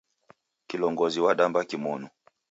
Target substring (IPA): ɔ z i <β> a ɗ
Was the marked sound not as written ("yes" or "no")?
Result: yes